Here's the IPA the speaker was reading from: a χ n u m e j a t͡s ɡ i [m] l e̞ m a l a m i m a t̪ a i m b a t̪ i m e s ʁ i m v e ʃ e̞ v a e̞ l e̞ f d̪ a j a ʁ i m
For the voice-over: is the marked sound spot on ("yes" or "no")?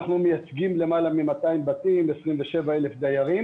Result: yes